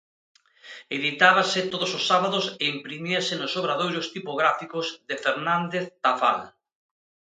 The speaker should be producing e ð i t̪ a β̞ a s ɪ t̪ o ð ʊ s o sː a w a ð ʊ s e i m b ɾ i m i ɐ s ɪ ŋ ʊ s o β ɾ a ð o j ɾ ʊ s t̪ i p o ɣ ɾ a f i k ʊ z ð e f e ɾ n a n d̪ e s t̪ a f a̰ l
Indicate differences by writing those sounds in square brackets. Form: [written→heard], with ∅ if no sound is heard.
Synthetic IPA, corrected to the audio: e ð i t̪ a β̞ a s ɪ t̪ o ð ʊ s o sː a [w→β] a ð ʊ s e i m [b→p] ɾ i m i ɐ s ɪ [ŋ→n] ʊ s o β ɾ a ð o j ɾ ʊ s t̪ i p o ɣ ɾ a f i k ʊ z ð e f e ɾ n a n d̪ e [s→θ] t̪ a f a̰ l